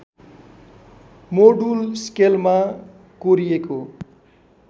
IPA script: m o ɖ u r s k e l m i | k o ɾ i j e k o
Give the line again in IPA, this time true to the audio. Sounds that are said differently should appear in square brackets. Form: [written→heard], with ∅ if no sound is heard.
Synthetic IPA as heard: m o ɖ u [r→l] s k e l m [i→a] | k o ɾ i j e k o